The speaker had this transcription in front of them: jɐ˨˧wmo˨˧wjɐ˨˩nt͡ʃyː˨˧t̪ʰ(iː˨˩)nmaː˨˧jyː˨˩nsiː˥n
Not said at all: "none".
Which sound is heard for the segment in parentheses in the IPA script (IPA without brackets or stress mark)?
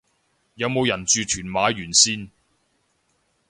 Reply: yː˨˩